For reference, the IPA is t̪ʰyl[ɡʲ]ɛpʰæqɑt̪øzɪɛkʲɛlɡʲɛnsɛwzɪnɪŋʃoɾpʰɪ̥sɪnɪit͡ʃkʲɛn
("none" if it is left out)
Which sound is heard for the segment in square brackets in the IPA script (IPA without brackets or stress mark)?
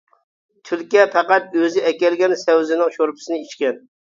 kʲ